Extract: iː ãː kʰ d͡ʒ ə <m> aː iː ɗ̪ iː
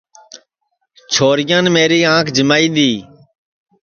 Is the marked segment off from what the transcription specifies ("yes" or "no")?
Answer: no